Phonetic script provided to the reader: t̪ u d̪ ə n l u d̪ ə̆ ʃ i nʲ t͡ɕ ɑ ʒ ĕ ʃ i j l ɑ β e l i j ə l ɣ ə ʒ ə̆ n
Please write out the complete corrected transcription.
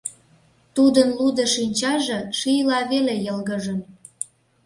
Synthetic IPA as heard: t̪ u d̪ ə n l u d̪ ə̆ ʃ i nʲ t͡ɕ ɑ ʒ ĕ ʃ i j l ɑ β e l e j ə l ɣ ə ʒ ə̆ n